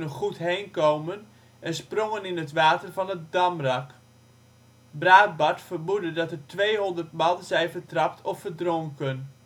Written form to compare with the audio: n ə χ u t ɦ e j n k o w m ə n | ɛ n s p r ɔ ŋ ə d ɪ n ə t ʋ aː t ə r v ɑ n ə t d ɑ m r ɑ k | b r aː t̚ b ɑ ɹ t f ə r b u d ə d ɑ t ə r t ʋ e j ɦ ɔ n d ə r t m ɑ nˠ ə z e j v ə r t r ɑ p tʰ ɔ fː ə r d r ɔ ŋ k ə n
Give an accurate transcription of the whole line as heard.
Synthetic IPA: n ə χ u t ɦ e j n k o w m ə n | ɛ n s p r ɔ ŋ ə n ɪ n ə t ʋ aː t ə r v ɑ n ə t d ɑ m r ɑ k | b r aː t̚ b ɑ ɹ t f ə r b u d ə d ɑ t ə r t ʋ e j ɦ ɔ n d ə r t m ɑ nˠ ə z ɛ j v ə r t r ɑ p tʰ ɔ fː ə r d r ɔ ŋ k ə n

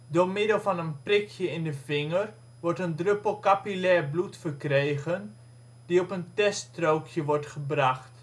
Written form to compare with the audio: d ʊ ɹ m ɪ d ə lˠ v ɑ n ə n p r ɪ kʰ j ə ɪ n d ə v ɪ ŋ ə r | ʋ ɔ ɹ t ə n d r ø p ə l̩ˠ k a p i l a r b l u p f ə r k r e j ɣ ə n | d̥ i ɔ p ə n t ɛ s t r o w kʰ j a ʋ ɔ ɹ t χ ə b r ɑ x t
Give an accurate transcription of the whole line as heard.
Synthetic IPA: d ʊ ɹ m ɪ d ə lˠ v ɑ n ə n p r ɪ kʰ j ə ɪ n d ə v ɪ ŋ ə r | ʋ ɔ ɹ t ə n d r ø p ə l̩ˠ k a p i l ɛ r b l u t f ə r k r e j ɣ ə n | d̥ i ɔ p ə n t ɛ s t r o w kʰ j ə ʋ ɔ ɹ t χ ə b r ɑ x t

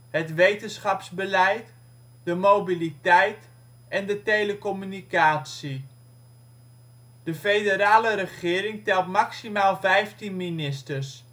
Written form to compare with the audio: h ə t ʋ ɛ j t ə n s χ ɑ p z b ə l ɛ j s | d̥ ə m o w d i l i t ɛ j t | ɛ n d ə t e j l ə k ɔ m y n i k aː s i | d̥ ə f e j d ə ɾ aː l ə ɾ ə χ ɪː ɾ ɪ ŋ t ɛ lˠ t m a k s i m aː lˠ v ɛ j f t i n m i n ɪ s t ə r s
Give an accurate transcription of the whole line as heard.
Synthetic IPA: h ə t ʋ e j t ə n s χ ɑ p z b ə l ɛ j t | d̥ ə m o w b i l i t ɛ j t | ɛ n d ə t e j l ə k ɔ m y n i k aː s i | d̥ ə f e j d ə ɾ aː l ə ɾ ə χ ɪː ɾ ɪ ŋ t ɛ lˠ t m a k s i m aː lˠ v ɛ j f t i n m i n ɪ s t ə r s

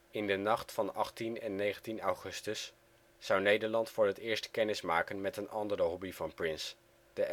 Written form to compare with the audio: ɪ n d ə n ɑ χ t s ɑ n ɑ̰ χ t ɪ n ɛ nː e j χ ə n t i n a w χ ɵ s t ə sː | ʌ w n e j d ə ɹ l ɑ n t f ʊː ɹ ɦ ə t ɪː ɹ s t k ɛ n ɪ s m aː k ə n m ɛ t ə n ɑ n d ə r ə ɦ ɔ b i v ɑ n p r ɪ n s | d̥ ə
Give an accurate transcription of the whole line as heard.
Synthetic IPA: ɪ n d ə n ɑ χ t f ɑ n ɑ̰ χ t i n ɛ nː e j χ ə n t i n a w χ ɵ s t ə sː | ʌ w n e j d ə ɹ l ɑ n t f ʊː ɹ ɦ ə t ɪː ɹ s t k ɛ n ɪ s m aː k ə n m ɛ t ə n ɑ n d ə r ə ɦ ɔ b i v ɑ n p r ɪ n s | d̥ ə

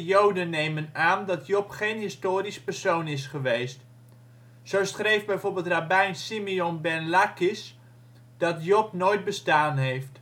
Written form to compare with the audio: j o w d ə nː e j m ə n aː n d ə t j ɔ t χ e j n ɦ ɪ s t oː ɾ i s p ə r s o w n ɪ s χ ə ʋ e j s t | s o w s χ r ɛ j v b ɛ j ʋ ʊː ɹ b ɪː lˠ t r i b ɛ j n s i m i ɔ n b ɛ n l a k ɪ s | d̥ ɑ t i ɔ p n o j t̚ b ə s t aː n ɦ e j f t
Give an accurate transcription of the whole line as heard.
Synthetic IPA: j o w d ə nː e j m ə n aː n d ɑ t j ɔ p χ e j n ɦ ɪ s t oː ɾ i s p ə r s o w n ɪ s χ ə ʋ e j s t | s o w s χ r e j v b ɛ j v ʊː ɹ b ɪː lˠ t r a b ɛ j n s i m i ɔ n b ɛ n l a k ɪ s | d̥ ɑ t j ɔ p n o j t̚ b ə s t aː n ɦ e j f t

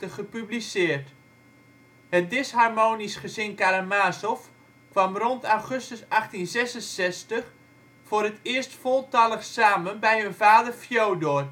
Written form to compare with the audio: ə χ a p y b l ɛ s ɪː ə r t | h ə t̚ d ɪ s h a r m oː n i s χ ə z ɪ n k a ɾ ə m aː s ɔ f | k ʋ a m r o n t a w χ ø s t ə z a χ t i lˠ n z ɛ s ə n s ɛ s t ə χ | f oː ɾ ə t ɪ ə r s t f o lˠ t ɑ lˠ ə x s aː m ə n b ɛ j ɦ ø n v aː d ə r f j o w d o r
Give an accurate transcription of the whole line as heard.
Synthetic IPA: ə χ ə p y b l i s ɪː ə r t | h ə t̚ d ɪ s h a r m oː n i s χ ə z ɪ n k a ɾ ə m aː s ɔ f | k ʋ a m r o n t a w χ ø s t ə s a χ t i n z ɛ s ə n s ɛ s t ə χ | f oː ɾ ə t ɪ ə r s t f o lˠ t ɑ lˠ ə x s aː m ə n b ɛ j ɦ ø n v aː d ə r f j o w d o r

